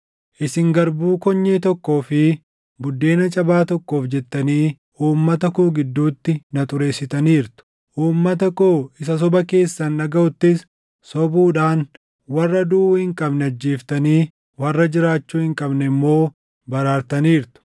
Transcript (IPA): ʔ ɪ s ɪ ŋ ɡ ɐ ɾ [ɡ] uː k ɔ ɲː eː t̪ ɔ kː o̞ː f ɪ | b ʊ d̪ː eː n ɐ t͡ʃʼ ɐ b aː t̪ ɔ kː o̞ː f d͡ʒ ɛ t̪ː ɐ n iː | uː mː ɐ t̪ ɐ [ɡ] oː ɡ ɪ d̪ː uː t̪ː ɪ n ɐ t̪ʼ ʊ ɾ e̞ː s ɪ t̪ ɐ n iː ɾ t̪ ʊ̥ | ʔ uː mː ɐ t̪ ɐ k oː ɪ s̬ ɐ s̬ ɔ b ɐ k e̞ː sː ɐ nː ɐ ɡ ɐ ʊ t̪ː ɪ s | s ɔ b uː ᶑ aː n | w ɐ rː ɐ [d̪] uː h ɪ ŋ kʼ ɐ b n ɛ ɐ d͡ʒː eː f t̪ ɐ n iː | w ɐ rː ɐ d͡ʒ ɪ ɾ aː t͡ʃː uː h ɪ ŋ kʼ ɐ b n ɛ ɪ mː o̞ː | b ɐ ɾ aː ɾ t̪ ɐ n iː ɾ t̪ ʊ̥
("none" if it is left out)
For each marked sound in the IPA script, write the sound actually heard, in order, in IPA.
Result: b, k, d̪

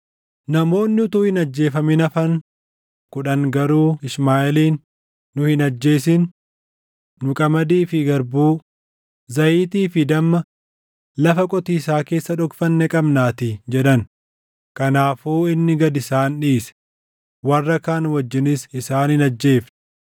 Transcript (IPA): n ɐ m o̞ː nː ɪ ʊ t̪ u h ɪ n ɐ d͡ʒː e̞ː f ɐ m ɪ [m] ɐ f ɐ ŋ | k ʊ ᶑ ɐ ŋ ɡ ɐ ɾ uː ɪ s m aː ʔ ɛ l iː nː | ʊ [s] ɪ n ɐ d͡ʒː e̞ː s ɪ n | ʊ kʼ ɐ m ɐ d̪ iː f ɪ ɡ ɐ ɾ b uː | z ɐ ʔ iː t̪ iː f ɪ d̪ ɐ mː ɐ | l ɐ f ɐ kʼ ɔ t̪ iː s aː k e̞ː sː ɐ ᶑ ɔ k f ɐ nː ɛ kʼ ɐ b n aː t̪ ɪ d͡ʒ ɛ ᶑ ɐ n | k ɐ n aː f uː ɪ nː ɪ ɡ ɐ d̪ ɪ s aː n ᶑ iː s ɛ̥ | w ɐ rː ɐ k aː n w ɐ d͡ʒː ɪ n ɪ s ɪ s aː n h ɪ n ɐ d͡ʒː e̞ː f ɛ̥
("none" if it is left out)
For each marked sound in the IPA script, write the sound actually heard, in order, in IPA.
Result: n, h

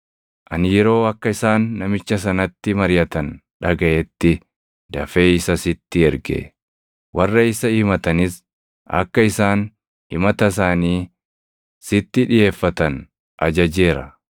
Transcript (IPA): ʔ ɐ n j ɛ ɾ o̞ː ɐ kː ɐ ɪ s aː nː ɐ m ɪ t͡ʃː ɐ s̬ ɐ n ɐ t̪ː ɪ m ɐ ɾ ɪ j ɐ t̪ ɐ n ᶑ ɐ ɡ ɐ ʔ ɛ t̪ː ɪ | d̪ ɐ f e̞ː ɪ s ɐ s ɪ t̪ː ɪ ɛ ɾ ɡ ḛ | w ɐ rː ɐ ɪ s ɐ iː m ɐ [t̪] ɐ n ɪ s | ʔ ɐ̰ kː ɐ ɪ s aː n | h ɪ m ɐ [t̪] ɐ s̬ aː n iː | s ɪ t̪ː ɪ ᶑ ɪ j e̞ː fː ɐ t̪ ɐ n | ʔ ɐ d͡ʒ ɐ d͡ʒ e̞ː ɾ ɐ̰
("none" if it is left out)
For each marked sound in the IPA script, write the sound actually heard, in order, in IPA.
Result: t̪, t̪

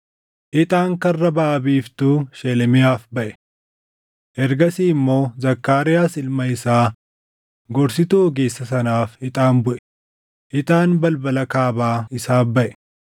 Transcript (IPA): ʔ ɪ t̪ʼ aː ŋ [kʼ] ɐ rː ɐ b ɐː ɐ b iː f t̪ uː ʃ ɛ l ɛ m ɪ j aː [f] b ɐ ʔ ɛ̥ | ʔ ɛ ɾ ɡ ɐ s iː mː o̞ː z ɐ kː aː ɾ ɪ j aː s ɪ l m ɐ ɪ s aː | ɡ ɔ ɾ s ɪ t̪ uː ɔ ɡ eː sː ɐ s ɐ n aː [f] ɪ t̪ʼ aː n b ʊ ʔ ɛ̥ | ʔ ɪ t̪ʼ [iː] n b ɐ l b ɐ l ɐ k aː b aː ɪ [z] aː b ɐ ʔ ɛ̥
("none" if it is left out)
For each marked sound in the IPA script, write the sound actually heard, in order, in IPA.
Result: k, f, f, aː, s

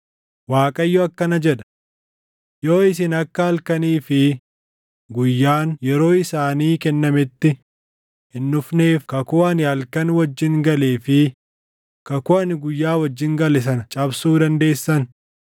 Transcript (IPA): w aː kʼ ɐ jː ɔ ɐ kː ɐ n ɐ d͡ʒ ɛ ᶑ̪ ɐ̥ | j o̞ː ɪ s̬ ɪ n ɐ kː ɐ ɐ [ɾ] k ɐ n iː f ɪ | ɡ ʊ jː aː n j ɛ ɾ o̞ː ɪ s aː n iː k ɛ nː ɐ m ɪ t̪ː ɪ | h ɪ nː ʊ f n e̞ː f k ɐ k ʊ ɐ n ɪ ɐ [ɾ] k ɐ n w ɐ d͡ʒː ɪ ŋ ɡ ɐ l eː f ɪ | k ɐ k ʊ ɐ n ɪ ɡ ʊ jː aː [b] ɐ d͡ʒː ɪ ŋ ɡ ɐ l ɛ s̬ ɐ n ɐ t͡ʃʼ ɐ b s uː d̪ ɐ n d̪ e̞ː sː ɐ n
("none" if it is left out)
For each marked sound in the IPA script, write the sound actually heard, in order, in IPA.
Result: l, l, w

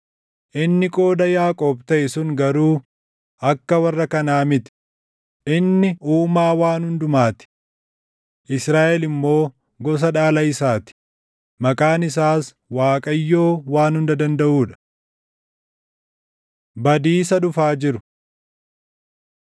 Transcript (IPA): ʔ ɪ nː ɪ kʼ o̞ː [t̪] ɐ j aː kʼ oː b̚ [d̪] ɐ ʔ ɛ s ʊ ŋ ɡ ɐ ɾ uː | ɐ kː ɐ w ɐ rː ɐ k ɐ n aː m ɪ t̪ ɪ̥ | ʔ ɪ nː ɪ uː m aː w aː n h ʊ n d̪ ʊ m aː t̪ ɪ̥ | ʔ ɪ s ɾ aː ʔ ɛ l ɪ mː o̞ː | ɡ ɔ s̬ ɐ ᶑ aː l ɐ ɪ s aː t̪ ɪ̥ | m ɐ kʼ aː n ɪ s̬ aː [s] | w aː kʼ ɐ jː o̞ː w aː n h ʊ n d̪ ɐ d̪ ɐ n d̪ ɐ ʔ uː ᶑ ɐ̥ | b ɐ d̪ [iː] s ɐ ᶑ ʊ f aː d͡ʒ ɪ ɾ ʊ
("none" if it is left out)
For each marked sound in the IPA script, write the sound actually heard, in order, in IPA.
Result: d̪, t̪, s, iː

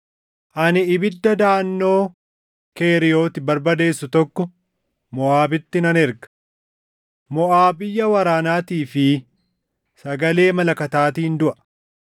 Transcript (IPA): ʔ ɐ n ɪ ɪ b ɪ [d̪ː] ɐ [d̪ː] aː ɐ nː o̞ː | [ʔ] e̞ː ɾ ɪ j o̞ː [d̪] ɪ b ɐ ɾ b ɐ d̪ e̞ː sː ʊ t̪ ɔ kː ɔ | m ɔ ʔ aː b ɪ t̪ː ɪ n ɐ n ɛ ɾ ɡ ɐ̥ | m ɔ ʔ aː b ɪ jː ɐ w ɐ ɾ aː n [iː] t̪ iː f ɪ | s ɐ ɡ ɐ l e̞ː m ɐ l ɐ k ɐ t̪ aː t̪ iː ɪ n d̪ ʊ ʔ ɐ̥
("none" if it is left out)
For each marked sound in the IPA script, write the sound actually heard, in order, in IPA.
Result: d̪ː, d̪, k, t̪, aː

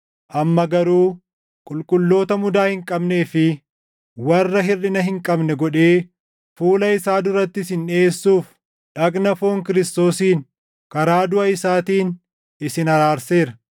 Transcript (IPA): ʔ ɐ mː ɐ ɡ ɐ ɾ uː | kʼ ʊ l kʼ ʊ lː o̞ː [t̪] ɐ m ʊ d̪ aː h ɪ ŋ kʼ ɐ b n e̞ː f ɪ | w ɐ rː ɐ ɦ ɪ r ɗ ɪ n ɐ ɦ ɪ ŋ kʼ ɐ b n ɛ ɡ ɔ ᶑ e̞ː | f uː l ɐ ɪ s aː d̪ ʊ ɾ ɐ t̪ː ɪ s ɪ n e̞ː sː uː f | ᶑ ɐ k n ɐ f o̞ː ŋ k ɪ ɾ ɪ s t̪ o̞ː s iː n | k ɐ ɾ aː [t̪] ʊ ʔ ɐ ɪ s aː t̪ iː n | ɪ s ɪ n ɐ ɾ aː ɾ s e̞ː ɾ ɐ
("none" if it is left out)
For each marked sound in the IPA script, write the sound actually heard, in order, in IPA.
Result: t̪, d̪

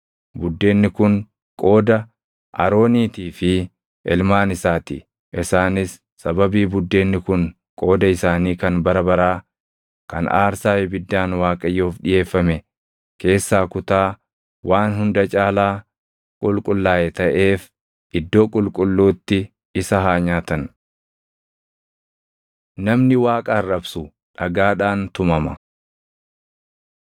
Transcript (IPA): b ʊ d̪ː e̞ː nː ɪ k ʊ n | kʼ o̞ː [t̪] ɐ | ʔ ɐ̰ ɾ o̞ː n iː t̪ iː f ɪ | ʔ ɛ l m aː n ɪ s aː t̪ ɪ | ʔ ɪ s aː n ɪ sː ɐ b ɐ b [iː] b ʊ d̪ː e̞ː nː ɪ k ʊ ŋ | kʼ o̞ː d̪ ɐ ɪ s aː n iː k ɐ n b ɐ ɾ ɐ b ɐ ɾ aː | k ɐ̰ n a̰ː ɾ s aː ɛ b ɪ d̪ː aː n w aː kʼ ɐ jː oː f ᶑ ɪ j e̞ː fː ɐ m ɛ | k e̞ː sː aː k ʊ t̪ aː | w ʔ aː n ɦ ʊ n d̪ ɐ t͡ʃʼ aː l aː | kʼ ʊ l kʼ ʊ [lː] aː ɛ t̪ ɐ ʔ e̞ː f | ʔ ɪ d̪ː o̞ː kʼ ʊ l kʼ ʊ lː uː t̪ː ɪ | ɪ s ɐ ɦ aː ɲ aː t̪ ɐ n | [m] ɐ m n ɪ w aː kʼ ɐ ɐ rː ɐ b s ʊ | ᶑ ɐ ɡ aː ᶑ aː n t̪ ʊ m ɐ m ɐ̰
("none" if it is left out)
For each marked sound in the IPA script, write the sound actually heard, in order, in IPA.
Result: d̪, iː, lː, n

